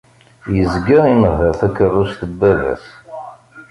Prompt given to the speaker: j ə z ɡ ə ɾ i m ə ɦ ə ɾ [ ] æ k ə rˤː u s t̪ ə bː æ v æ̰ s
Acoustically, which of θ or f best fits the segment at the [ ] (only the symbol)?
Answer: θ